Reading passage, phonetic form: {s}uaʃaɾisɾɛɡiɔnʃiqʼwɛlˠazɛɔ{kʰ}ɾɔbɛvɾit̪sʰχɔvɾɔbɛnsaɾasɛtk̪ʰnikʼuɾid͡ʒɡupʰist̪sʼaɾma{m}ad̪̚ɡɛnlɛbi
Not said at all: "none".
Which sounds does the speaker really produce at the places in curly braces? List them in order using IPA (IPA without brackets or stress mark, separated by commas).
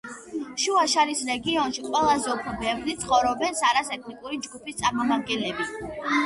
ʃ, pʰ, m